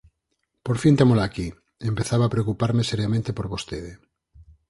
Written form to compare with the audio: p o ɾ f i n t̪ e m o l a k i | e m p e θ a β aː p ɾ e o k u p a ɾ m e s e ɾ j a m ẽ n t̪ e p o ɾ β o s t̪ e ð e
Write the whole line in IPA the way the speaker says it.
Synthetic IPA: p o ɾ f i n t̪ e m o l a k i | e m p e θ a β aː p ɾ e o k u p a ɾ m e s e ɾ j a m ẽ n t̪ e p o ɾ β o s t̪ e ð e